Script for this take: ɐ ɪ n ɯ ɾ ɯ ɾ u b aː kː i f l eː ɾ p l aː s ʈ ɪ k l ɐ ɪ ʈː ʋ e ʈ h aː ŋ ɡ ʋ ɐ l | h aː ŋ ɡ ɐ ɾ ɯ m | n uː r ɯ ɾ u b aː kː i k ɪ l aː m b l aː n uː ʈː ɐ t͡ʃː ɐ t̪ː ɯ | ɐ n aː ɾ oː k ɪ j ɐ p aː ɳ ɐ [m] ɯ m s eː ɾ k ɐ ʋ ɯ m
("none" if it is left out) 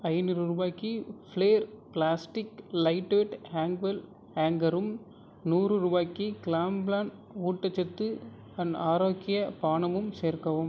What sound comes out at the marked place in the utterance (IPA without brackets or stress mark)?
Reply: m